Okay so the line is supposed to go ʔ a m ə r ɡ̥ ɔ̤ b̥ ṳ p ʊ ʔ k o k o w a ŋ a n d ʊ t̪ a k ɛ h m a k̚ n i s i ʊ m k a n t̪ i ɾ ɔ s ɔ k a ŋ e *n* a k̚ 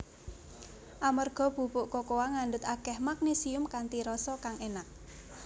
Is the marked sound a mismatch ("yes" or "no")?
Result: no